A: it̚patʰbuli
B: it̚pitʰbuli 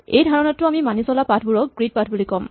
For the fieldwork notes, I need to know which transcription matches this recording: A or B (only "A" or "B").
A